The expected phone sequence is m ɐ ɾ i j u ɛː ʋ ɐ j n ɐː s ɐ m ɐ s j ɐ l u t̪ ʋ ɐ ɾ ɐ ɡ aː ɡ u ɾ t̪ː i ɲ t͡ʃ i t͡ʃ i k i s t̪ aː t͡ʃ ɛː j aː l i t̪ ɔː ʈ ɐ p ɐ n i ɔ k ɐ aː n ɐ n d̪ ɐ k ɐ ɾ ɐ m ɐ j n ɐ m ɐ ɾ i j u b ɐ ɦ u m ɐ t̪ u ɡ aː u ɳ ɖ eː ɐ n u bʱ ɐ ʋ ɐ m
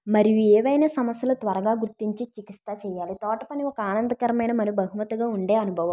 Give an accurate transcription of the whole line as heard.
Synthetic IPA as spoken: m ɐ ɾ i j u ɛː ʋ ɐ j n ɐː s ɐ m ɐ s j ɐ l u t̪ ʋ ɐ ɾ ɐ ɡ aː ɡ u ɾ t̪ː i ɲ t͡ʃ i t͡ʃ i k i s t̪ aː t͡ʃ ɛː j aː l i t̪ ɔː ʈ ɐ p ɐ n i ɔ k ɐ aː n ɐ n d̪ ɐ k ɐ ɾ ɐ m ɐ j n ɐ m ɐ ɾ i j u b ɐ ɦ u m ɐ t̪ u ɡ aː u ɳ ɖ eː ɐ n u bʱ ɐ ʋ ɐ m